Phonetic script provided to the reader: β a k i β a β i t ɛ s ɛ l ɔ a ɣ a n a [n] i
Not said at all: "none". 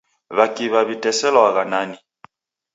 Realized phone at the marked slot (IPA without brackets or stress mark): n